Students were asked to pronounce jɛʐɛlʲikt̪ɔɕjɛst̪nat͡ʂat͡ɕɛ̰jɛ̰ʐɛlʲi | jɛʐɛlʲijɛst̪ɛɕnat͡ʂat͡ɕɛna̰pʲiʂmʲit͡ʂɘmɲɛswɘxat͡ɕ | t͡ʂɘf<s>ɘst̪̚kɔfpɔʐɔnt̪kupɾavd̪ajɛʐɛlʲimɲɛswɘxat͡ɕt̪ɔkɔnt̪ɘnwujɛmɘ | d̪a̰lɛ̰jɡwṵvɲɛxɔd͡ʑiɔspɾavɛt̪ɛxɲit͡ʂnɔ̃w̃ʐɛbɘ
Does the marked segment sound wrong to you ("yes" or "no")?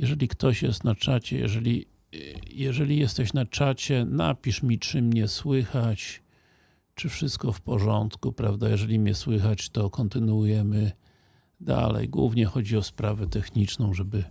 yes